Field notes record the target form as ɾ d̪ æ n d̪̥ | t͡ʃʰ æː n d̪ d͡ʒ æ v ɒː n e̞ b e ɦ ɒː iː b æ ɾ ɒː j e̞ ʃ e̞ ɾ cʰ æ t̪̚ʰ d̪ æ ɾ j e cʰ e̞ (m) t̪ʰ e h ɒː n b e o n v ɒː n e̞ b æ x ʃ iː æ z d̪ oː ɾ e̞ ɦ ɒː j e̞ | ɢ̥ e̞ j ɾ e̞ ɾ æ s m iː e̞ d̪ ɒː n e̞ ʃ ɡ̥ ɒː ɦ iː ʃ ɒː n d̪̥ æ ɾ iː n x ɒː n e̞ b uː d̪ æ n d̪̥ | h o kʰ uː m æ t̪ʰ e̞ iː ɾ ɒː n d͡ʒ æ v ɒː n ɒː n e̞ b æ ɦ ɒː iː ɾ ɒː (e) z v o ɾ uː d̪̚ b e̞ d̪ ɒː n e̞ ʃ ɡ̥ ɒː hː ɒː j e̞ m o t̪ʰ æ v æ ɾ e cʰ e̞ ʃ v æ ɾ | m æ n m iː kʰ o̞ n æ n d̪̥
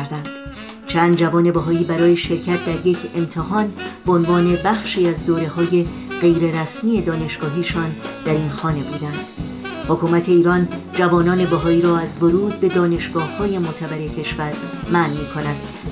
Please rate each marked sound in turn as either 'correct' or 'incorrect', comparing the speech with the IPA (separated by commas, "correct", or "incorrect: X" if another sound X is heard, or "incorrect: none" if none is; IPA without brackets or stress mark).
correct, incorrect: æ